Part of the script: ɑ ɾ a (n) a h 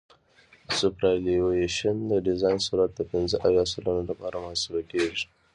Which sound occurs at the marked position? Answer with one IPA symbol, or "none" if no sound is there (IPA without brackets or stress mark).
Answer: m